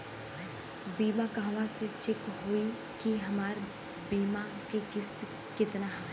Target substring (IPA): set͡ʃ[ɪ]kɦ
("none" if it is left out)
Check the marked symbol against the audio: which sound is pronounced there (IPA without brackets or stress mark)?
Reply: ɪ